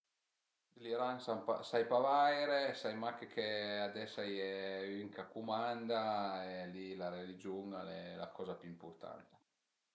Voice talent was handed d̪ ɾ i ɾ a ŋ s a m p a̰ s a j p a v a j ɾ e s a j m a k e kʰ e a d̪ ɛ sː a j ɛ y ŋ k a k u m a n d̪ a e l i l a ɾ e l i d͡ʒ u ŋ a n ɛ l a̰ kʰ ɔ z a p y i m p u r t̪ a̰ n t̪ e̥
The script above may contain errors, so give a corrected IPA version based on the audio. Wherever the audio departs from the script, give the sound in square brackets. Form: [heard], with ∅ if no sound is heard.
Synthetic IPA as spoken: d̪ [l] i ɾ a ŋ s a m p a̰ s a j p a v a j ɾ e s a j m a k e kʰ e a d̪ ɛ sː a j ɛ y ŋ k a k u m a n d̪ a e l i l a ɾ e l i d͡ʒ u ŋ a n ɛ l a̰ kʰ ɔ z a p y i m p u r t̪ a̰ n t̪ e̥